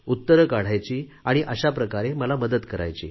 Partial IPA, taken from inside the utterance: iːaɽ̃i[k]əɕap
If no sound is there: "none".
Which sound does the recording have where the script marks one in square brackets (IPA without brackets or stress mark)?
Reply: ʔ